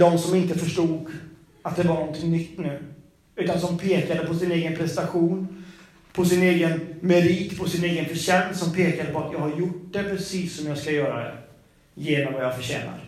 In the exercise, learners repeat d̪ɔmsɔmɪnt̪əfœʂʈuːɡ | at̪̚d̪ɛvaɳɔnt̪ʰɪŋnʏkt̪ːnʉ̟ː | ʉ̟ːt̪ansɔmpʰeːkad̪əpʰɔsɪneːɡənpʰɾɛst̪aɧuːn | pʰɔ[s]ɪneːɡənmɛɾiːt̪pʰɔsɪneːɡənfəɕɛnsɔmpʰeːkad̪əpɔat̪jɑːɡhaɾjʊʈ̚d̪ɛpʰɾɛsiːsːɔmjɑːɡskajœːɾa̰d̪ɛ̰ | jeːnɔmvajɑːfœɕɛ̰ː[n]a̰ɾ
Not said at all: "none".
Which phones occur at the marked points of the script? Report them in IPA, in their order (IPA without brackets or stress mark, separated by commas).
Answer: s, n